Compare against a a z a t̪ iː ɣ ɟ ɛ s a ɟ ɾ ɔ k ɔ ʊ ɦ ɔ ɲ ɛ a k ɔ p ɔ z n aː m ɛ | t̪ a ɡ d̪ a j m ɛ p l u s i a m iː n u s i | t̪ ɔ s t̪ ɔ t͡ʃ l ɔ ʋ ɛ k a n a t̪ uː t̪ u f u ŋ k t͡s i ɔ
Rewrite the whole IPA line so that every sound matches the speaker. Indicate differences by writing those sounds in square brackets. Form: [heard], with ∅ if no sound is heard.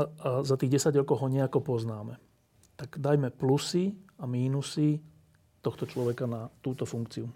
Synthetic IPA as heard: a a z a t̪ iː ɣ ɟ ɛ s a ɟ ɾ ɔ k ɔ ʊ ɦ ɔ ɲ ɛ a k ɔ p ɔ z n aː m ɛ | t̪ a ɡ d̪ a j m ɛ p l u s i a m iː n u s i | t̪ ɔ [x] t̪ ɔ t͡ʃ l ɔ ʋ ɛ k a n a t̪ uː t̪ [ɔ] f u ŋ k t͡s i [u]